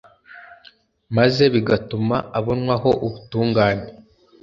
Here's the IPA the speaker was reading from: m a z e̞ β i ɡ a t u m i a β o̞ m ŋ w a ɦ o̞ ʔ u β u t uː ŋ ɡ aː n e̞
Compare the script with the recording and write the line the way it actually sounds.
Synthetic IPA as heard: m a z e̞ β i ɡ a t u m a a β o̞ n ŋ w a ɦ o̞ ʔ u β u t uː ŋ ɡ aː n e̞